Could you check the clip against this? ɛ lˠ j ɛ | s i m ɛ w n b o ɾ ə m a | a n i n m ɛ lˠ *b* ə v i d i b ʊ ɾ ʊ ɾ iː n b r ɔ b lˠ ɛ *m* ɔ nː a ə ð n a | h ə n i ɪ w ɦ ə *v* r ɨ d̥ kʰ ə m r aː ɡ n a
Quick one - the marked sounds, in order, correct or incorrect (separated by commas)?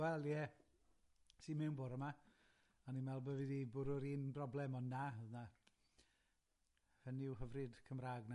correct, correct, correct